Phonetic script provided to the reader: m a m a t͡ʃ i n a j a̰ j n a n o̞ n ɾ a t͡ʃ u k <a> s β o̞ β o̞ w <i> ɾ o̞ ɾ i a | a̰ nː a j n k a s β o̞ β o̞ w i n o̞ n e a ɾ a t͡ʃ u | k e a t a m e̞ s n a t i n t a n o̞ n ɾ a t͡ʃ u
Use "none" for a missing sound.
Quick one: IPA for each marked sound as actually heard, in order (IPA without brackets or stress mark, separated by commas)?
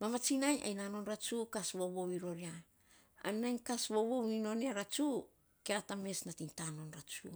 a, i